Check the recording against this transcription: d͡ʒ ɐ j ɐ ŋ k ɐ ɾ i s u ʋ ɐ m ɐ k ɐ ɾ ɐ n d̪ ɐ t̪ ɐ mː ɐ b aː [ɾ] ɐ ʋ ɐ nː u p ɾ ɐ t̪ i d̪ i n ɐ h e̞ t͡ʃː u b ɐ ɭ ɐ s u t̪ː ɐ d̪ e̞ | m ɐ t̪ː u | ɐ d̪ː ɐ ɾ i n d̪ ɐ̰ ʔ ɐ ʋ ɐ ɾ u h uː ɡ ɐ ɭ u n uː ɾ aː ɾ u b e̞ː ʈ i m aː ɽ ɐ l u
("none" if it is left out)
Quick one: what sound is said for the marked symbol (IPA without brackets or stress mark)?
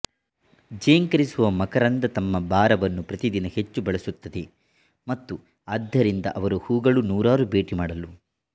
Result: ɾ